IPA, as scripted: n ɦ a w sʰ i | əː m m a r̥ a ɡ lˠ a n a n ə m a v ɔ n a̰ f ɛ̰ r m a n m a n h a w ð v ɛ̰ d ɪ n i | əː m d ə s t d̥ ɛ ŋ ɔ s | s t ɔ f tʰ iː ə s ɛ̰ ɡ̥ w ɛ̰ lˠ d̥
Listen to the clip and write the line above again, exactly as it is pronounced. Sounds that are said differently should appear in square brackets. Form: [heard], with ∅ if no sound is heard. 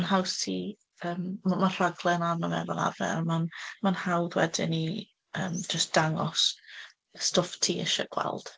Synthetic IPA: n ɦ a w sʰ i | əː m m a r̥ a ɡ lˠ [ɛ] n a n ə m [ɛ] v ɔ n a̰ [v] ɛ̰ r m a n m a n h a w ð [w] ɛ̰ d ɪ n i | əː m [d͡ʒ] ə s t d̥ [a] ŋ ɔ s | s t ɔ f tʰ iː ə [ʃ] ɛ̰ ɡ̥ w ɛ̰ lˠ d̥